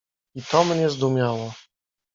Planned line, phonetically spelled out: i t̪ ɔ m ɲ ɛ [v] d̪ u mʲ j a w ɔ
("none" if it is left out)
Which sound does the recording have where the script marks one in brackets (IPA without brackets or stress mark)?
z